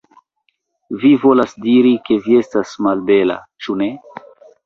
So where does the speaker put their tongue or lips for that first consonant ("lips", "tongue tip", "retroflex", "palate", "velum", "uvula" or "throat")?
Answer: lips